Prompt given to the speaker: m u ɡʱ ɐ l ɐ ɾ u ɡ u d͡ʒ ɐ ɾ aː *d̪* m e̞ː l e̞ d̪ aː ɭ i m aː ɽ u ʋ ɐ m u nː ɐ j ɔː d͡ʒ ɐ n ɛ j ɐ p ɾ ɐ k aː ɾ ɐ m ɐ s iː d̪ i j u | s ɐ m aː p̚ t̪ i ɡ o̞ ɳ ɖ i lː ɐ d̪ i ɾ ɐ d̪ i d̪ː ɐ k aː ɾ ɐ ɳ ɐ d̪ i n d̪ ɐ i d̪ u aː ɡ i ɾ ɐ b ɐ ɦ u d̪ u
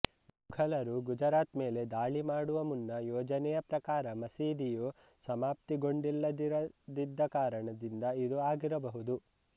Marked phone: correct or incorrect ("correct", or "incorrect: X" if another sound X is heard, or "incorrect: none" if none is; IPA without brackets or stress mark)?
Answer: incorrect: t̪